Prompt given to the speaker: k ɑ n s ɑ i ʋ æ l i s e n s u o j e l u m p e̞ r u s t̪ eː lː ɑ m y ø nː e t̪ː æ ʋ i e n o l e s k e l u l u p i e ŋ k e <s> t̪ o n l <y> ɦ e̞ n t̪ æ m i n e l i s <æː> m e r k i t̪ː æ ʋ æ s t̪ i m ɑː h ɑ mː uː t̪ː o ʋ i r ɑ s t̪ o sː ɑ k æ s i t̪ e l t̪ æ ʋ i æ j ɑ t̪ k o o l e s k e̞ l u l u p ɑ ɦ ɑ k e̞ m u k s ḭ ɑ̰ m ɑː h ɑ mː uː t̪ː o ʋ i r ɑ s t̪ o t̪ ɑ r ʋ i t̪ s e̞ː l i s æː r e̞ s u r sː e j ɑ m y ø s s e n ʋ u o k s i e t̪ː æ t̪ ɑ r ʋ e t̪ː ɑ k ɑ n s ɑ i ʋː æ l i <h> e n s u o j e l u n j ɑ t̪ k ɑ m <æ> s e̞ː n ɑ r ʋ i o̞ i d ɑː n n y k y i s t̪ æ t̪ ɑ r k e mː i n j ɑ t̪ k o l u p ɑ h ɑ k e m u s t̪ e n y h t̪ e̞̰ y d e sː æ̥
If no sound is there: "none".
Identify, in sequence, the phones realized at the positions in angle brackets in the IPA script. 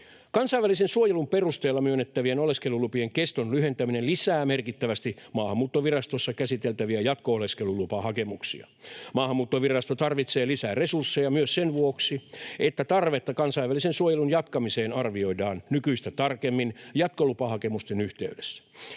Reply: s, y, æː, s, i

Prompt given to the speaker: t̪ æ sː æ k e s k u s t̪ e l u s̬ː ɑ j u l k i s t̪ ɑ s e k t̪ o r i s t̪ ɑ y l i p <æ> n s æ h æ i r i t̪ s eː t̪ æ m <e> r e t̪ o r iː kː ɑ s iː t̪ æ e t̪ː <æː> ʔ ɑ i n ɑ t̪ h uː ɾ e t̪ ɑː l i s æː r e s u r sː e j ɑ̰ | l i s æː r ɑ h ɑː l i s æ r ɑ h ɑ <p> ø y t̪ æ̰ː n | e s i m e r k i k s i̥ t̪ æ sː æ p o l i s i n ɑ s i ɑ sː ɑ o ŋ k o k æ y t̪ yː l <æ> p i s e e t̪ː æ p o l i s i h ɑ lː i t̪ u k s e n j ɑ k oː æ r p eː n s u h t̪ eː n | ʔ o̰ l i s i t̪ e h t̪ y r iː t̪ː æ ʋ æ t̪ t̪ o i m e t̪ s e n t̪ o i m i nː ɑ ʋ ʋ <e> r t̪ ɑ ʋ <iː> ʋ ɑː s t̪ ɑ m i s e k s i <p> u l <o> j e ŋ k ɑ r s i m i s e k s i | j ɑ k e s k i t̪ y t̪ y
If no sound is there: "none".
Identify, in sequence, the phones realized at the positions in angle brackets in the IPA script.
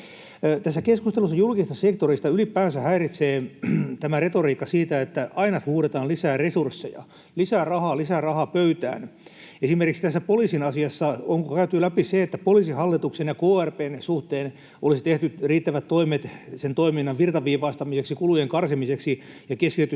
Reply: æː, æ, æ, p, æ, i, iː, k, u

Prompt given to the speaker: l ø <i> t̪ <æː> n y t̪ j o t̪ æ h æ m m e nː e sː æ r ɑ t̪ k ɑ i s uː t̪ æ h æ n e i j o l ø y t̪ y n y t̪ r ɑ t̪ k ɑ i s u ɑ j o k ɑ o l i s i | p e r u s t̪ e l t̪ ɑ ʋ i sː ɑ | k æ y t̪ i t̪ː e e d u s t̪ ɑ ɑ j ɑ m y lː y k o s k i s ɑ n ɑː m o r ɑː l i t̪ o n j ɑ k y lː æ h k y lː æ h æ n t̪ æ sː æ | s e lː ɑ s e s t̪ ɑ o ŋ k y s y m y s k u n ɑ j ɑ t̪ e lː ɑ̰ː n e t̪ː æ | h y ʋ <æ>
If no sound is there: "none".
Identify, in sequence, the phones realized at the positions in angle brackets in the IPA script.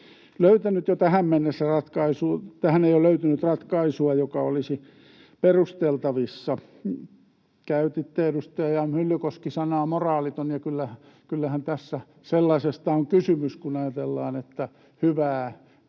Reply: y, æ, æː

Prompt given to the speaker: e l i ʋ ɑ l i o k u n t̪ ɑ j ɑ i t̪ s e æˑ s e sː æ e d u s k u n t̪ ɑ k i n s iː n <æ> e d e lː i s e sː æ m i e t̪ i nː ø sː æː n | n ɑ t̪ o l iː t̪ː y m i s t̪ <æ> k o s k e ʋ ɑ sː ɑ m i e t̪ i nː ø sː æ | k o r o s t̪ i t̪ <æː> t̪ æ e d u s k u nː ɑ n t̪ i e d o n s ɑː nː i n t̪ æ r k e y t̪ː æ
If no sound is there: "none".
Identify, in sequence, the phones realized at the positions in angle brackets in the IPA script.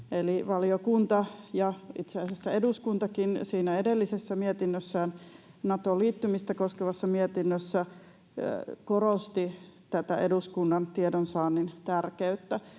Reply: æ, æ, æ

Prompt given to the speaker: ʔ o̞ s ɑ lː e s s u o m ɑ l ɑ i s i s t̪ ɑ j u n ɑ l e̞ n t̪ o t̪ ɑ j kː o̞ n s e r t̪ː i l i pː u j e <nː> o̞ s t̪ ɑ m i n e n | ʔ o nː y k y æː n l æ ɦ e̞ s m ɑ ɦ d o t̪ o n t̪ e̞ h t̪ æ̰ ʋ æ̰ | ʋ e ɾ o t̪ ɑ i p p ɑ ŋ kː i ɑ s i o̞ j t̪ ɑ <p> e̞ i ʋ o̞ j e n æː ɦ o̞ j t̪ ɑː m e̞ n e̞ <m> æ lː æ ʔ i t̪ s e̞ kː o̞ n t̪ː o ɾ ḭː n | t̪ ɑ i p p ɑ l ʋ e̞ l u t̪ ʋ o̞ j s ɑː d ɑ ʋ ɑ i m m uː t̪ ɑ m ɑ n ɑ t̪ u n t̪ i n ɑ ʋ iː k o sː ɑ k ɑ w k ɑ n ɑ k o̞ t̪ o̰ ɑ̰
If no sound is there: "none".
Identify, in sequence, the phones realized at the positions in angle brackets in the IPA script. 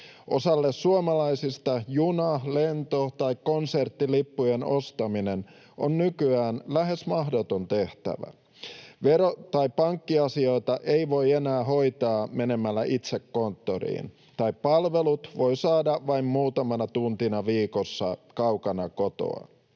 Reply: n, ʔ, m

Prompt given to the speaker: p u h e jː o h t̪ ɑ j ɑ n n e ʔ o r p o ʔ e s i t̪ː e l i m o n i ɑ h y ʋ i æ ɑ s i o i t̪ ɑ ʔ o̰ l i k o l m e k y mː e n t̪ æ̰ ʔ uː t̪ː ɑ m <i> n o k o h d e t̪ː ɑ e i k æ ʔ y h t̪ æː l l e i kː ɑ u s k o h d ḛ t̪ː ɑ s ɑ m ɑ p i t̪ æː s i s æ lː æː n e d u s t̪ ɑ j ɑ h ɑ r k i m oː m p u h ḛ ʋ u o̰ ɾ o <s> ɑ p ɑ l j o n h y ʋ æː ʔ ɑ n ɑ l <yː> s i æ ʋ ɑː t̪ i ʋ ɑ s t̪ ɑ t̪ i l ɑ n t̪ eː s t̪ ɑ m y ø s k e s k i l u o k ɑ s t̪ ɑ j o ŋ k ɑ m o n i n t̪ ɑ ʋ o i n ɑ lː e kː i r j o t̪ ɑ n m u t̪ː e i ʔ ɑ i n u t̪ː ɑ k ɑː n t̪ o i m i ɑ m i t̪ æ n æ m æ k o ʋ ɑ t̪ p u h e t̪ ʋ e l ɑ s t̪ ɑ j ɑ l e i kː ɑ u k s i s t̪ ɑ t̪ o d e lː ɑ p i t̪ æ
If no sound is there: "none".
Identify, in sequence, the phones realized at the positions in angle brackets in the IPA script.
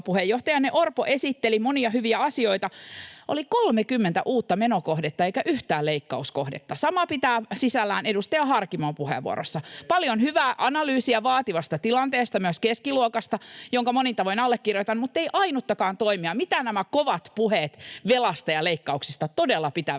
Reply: e, sː, yː

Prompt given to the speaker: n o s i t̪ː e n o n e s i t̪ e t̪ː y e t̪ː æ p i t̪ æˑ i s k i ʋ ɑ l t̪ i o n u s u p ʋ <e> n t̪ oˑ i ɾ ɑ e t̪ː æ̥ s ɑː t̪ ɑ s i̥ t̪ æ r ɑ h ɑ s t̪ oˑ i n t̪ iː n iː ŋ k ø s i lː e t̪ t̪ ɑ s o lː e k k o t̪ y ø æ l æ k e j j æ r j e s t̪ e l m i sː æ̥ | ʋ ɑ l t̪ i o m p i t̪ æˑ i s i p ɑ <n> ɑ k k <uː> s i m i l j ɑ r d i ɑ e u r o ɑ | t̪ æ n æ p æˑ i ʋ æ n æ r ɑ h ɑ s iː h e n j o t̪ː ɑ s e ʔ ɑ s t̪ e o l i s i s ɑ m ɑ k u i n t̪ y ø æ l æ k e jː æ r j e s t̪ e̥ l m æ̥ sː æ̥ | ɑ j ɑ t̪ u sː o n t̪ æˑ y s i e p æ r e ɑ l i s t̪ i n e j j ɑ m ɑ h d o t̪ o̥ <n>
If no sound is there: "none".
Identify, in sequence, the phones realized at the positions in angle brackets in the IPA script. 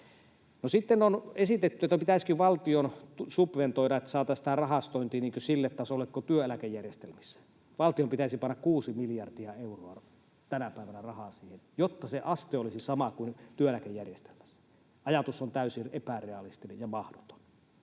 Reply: e, nː, uː, n

